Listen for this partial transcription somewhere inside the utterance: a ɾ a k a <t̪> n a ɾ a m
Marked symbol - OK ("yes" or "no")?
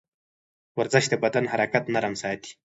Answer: yes